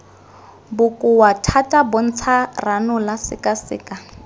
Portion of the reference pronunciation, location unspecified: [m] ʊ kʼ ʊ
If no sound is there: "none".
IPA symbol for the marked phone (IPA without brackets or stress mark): b